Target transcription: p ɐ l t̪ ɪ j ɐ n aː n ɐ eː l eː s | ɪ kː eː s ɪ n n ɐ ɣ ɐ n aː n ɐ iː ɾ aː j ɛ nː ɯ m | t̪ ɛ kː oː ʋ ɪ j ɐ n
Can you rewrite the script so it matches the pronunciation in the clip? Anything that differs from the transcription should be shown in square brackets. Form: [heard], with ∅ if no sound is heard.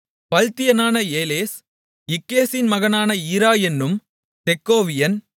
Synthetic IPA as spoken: p ɐ l t̪ ɪ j ɐ n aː n ɐ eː l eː s | ɪ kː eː s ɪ n [m] ɐ ɣ ɐ n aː n ɐ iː ɾ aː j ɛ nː ɯ m | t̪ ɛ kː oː ʋ ɪ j ɐ n